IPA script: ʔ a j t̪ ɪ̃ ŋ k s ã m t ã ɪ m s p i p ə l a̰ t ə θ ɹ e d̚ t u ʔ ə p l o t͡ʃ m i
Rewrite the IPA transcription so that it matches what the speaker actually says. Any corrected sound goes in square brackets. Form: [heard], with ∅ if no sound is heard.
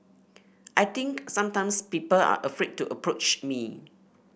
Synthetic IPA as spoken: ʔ a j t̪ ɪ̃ ŋ k s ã m t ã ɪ m s p i p ə l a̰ [ʔ] ə [f] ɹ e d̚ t u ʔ ə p [ɹ] o t͡ʃ m i